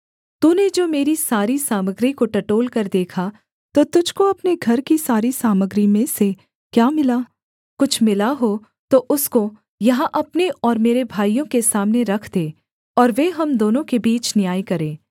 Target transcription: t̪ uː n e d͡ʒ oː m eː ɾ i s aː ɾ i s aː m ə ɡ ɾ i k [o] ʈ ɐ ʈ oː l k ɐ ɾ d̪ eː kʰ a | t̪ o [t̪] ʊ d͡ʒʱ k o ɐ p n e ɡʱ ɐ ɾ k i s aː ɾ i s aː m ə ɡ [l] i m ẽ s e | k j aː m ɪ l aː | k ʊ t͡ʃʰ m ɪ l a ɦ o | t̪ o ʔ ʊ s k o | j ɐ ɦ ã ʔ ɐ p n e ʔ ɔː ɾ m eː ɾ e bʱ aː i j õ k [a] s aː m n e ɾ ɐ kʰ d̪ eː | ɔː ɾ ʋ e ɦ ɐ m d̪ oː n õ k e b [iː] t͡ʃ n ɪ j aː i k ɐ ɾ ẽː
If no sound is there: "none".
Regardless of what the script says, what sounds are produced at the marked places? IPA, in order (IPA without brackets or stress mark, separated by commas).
o, t̪, ɾ, e, iː